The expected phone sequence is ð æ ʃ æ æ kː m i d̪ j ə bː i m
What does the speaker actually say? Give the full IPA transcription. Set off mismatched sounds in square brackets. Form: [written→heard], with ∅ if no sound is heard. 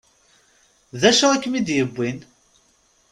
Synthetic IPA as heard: ð æ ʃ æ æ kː m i d̪ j ə bː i [m→n]

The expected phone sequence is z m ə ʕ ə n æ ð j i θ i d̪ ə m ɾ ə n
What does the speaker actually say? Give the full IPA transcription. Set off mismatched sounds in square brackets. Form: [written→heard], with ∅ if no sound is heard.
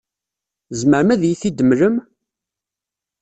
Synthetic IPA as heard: z m ə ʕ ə [n→m] æ ð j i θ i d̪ ə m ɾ ə [n→m]

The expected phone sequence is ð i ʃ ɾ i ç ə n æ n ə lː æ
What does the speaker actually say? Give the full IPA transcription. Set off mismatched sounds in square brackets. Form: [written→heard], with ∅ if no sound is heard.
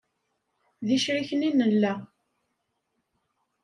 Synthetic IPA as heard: ð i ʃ ɾ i ç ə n [æ→i] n ə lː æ

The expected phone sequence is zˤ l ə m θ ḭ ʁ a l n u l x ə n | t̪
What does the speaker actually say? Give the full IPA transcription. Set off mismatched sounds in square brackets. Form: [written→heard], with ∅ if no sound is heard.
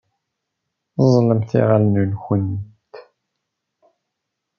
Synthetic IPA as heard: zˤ l ə m θ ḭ ʁ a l n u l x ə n | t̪

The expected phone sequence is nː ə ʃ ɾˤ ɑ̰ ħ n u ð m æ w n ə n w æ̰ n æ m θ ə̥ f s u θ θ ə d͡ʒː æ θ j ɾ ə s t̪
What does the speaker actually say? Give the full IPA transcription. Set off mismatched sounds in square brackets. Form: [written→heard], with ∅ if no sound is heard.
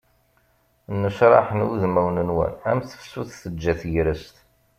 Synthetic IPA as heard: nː ə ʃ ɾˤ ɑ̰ ħ n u ð m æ w n ə n w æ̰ n æ m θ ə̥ f s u θ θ ə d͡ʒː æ θ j ɾ ə s t̪

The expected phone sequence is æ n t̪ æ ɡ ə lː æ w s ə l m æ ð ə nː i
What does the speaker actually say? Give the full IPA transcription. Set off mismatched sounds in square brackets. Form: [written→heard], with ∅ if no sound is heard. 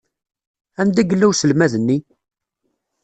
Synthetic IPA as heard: æ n [t̪→d̪] æ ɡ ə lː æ w s ə l m æ ð ə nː i

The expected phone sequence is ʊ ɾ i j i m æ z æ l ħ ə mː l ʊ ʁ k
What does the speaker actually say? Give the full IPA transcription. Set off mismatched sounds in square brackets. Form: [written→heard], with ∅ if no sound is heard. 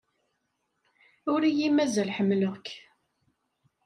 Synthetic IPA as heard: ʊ ɾ i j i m æ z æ l ħ ə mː l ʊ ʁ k

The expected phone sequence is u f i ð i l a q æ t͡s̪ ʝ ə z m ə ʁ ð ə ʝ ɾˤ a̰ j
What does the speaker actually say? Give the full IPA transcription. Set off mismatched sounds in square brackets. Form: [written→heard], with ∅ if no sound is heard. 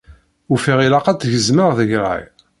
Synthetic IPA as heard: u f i [ð→ʁ] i l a q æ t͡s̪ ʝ ə z m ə ʁ ð ə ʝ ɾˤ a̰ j

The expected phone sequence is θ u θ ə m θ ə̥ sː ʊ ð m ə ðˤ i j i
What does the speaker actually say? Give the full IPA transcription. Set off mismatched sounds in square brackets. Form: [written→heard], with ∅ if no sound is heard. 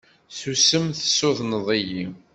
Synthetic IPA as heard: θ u [θ→s] ə m θ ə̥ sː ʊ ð [m→n] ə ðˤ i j i

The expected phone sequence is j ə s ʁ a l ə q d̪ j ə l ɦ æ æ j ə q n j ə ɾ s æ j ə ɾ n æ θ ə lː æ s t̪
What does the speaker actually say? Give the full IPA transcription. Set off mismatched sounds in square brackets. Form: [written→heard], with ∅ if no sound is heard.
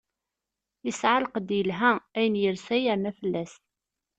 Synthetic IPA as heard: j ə s [ʁ→ʕ] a l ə q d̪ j ə l ɦ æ æ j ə [q→∅] n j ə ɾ s æ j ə ɾ n æ [θ→f] ə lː æ s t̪

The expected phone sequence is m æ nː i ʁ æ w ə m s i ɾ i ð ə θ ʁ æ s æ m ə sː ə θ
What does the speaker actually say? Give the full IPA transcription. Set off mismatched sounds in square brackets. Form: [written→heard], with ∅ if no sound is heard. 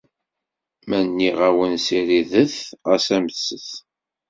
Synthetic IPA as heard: m æ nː i ʁ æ w ə [m→n] s i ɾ i ð ə θ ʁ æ s æ m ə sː ə θ

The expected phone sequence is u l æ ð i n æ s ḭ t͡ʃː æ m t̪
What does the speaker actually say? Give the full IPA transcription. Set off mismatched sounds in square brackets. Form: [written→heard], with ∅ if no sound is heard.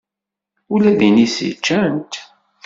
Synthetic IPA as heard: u l æ ð i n [æ→i] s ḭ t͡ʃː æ [m→n] t̪

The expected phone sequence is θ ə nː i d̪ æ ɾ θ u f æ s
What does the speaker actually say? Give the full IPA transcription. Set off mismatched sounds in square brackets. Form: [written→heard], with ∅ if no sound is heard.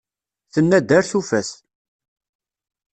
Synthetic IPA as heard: θ ə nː [i→æ] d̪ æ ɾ θ u f æ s

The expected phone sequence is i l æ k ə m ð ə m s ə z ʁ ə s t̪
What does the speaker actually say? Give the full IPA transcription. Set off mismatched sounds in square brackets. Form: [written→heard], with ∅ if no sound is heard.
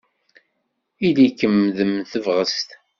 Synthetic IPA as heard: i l [æ→i] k ə m ð ə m [s→θ] ə [z→v] ʁ ə s t̪

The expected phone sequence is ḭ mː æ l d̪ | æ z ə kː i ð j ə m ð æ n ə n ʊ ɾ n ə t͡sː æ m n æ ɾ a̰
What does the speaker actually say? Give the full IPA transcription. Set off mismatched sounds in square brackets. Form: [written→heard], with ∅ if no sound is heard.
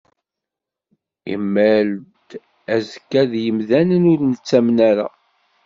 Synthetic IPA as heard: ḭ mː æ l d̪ | æ z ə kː [i→æ] ð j ə m ð æ n ə n ʊ ɾ n ə t͡sː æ m n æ ɾ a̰

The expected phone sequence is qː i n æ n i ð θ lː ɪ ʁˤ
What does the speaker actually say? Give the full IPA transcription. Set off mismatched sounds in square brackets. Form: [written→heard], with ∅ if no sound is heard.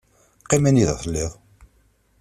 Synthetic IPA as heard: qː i [n→m] æ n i ð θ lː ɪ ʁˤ

